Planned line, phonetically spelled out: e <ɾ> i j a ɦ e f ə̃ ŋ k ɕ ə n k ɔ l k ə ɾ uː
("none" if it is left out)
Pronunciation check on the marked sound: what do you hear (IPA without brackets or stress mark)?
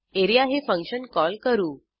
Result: ɾ